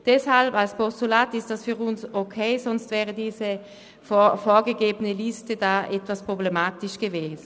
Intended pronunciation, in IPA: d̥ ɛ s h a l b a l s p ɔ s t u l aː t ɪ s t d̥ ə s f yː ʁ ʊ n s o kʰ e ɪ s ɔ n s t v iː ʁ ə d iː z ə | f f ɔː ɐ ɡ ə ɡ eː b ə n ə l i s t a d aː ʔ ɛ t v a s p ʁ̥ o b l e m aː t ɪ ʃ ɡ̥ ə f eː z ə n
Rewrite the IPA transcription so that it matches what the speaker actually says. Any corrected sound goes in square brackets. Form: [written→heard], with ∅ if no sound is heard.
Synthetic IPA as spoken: d̥ ɛ s h a l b a l s p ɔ s t u l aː t ɪ s t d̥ [ə→a] s f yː ʁ ʊ n s o kʰ e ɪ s ɔ n s t v [iː→ɛː] ʁ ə d iː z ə | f f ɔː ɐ ɡ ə ɡ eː b ə n ə l i s t [a→ə] d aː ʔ ɛ t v a s p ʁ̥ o b l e m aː t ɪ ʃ ɡ̥ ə [f→v] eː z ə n